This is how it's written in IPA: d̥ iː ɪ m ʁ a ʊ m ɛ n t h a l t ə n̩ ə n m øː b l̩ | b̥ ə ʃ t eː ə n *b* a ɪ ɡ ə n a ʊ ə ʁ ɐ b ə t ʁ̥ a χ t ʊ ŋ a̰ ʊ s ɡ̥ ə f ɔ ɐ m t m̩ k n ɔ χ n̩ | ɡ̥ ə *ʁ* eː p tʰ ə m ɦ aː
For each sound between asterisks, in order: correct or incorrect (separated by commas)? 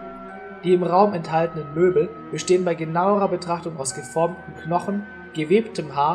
correct, incorrect